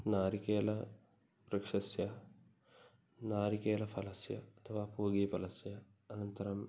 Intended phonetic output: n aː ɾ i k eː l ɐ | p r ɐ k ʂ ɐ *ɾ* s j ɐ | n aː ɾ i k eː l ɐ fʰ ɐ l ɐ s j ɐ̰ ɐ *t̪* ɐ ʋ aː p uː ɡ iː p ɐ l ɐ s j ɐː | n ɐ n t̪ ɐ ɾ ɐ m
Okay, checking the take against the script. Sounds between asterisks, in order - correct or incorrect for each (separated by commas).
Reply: incorrect, incorrect